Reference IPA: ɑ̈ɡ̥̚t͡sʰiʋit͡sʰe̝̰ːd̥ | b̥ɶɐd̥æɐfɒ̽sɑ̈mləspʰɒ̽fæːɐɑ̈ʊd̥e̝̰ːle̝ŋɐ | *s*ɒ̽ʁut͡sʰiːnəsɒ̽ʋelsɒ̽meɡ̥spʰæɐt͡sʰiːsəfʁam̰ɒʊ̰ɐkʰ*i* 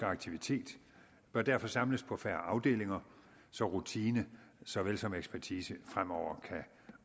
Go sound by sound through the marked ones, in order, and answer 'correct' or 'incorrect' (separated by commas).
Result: correct, incorrect